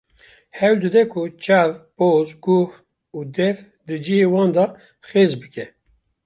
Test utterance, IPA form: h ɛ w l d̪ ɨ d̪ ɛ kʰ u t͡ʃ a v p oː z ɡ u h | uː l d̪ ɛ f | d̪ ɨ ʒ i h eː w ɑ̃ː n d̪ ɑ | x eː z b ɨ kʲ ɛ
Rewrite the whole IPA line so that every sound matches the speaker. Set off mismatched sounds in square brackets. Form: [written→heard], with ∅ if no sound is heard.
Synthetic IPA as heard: h ɛ w l d̪ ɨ d̪ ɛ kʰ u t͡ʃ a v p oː z ɡ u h | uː [l→∅] d̪ ɛ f | d̪ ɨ [ʒ→d͡ʒ] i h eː w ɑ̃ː n d̪ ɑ | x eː z b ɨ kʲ ɛ